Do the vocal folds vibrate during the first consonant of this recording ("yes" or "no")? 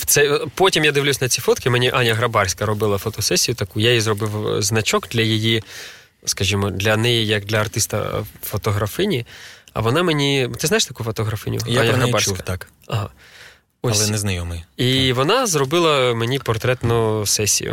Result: no